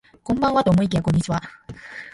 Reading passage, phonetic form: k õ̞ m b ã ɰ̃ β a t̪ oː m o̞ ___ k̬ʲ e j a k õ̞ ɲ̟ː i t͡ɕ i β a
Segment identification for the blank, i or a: i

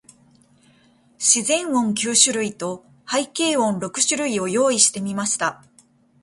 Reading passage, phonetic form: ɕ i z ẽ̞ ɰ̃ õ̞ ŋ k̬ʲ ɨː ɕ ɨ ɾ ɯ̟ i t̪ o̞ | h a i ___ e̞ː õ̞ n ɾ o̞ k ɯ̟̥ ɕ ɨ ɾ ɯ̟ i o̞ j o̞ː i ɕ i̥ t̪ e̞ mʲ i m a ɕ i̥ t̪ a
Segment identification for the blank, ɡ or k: k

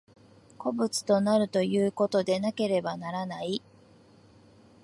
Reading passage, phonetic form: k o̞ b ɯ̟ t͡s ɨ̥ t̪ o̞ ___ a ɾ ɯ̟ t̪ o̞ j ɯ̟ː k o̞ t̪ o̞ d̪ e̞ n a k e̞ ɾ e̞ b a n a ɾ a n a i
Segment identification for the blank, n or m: n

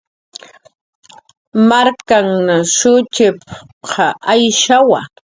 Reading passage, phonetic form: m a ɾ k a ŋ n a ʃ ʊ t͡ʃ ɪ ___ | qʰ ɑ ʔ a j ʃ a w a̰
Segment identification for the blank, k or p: p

